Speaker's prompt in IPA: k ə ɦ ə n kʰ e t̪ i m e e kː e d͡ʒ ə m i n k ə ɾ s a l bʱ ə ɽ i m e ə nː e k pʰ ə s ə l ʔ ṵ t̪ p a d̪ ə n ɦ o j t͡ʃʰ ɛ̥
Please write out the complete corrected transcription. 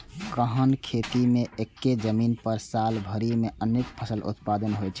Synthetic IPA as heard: k ə ɦ ə n kʰ e t̪ i m e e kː e d͡ʒ ə m i n p ə ɾ s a l bʱ ə ɾ i m e ə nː e k pʰ ə s ə l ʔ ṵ t̪ p a d̪ ə n ɦ o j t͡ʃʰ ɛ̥